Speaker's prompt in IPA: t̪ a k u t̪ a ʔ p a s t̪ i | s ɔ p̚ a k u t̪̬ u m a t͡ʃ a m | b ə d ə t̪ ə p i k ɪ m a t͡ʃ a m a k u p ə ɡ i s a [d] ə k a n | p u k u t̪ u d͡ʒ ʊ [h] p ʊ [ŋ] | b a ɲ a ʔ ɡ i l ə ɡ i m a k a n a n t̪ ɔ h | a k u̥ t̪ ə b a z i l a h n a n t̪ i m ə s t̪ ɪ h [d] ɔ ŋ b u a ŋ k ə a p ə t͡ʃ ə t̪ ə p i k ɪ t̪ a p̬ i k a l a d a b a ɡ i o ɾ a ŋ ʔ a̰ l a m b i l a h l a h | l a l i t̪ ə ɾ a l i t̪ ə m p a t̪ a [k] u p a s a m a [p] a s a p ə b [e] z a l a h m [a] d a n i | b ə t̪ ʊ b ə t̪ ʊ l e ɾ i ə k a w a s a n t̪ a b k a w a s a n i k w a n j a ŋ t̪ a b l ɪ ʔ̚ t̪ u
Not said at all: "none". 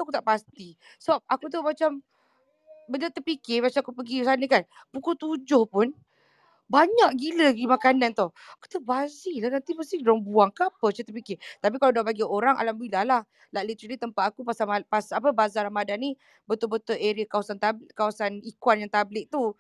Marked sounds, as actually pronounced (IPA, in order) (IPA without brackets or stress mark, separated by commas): n, h, n, d, k, p, a, a